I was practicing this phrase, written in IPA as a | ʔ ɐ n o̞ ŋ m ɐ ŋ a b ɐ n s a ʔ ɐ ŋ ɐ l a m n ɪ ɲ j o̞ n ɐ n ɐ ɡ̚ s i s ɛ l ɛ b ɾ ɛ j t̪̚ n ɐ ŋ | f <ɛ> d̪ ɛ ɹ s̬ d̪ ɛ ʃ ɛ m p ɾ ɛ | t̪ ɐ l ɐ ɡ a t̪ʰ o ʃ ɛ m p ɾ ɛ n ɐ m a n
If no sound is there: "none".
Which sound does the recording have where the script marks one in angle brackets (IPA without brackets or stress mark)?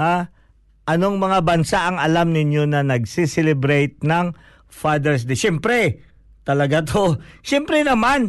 a